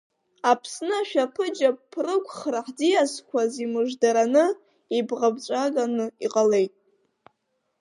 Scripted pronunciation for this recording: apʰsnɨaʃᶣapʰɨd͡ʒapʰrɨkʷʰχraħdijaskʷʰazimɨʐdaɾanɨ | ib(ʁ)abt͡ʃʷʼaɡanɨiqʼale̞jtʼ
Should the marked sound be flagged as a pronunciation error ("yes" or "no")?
no